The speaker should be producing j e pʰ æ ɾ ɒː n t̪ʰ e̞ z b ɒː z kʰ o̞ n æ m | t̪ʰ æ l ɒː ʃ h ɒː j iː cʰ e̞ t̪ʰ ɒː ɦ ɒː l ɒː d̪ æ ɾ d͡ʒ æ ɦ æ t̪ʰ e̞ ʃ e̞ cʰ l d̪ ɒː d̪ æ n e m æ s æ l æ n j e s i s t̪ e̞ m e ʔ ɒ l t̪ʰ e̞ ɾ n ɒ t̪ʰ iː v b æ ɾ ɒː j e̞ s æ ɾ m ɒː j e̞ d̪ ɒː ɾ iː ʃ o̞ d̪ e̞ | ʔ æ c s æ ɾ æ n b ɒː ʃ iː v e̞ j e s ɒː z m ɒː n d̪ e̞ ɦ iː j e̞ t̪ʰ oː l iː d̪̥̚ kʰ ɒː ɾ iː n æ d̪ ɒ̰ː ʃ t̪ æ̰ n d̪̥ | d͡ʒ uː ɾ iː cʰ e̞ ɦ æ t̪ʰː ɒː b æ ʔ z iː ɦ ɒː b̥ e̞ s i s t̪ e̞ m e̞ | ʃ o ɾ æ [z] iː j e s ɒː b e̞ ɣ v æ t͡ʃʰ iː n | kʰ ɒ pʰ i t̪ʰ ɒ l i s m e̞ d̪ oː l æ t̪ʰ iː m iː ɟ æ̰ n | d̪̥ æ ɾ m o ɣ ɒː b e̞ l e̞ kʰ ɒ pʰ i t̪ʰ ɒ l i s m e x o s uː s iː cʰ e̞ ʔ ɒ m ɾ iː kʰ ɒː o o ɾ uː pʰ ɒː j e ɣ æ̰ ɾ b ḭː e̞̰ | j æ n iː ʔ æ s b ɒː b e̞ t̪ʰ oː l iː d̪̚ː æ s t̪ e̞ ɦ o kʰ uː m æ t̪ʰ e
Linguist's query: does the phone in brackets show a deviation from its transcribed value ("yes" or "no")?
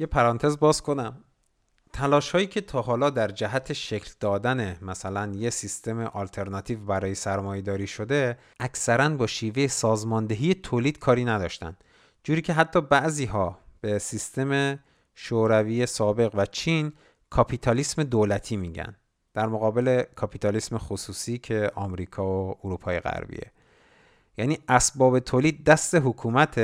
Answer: yes